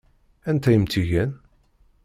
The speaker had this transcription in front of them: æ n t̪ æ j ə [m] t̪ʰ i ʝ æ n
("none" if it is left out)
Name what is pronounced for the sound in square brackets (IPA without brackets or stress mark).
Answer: m